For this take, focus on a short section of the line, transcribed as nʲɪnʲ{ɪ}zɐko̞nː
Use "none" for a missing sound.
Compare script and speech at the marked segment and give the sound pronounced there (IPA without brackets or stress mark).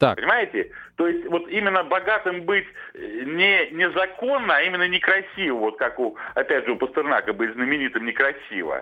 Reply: ɪ